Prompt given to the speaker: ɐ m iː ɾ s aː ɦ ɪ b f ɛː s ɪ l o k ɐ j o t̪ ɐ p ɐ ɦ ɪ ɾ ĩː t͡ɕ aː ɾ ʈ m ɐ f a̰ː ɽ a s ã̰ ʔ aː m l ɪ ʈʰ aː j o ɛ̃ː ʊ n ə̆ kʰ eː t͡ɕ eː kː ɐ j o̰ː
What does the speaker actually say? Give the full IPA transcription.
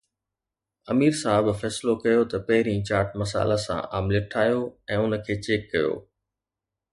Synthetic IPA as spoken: ɐ m iː ɾ s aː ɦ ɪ b f ɛː s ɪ l o k ɐ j o t̪ ɐ p ɐ ɦ ɪ ɾ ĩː t͡ɕ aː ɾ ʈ m ɐ s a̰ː l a s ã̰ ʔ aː m l ɪ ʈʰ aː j o ɛ̃ː ʊ n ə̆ kʰ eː t͡ɕ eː kː ɐ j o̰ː